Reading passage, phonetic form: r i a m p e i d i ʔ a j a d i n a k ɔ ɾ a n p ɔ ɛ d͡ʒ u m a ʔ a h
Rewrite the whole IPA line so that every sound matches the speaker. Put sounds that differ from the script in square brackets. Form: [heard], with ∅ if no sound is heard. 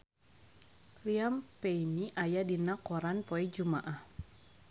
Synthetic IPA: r i a m p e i [n] i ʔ a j a d i n a k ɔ ɾ a n p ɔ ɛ d͡ʒ u m a ʔ a h